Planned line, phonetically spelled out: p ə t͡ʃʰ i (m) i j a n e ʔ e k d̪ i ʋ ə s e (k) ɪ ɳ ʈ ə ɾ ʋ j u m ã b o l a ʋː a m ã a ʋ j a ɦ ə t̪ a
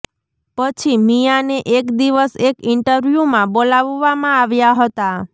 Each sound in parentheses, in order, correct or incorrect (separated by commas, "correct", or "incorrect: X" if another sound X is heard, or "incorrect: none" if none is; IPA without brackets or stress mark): correct, correct